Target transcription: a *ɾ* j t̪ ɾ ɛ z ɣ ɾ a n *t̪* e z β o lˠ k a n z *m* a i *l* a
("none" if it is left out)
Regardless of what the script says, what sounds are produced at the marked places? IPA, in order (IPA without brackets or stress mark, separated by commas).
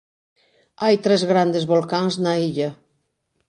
none, d̪, n, ʎ